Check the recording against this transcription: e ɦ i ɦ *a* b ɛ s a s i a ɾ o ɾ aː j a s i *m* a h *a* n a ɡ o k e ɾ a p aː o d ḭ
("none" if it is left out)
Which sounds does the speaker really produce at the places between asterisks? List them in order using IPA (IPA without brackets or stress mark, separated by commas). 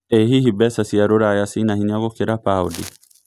i, n, i